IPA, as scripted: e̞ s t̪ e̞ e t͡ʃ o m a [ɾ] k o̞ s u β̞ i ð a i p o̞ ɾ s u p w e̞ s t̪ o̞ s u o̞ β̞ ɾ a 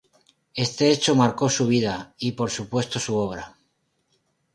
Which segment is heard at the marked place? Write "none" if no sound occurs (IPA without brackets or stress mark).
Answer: ɾ